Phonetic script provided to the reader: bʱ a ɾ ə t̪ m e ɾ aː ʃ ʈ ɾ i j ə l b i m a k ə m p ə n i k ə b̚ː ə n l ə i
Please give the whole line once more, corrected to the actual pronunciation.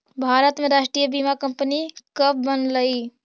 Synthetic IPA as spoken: bʱ a ɾ ə t̪ m e ɾ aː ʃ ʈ ɾ i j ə b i m a k ə m p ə n i k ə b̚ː ə n l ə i